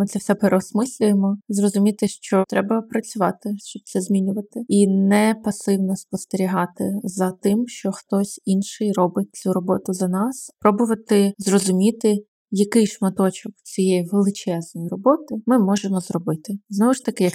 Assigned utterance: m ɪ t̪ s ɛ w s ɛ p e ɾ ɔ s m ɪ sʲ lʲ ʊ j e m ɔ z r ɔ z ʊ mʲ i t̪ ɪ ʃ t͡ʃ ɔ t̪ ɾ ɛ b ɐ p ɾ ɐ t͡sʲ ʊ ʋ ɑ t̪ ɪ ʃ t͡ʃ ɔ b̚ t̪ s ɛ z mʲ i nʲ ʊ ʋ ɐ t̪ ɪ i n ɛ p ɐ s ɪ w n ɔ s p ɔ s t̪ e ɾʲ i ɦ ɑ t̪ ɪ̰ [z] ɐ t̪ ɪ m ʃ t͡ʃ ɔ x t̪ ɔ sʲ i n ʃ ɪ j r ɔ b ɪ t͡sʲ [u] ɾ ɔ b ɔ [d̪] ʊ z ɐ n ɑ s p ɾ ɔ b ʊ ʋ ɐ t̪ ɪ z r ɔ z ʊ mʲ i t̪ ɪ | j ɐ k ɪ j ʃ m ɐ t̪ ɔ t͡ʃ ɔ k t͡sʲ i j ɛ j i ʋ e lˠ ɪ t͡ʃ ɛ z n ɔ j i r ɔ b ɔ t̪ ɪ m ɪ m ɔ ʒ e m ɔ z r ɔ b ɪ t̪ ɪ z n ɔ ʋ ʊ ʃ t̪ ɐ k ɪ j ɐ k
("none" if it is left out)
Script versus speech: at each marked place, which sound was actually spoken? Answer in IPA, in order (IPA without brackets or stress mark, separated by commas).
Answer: z, u, t̪